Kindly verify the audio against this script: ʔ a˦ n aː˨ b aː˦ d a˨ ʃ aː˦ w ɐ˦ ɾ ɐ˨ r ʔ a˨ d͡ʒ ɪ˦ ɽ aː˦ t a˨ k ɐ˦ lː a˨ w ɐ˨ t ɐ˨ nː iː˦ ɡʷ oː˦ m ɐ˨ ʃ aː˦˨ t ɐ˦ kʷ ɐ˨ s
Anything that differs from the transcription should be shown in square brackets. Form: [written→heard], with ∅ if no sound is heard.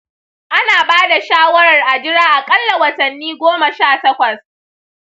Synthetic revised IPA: ʔ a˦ n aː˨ b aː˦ d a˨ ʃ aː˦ w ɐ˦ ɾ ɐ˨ r ʔ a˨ d͡ʒ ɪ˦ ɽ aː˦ [t→ʔ] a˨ [k→kʼ] ɐ˦ lː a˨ w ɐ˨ t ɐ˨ nː iː˦ ɡʷ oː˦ m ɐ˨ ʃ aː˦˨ t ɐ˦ kʷ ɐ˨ s